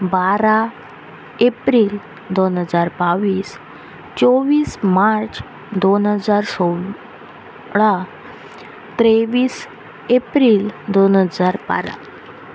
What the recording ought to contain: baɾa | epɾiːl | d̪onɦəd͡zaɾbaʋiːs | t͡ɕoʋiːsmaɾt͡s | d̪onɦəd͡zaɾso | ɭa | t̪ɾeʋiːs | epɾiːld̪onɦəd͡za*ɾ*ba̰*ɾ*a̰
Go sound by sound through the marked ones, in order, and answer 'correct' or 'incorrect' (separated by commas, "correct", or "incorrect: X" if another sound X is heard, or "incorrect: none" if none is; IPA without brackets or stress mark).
correct, correct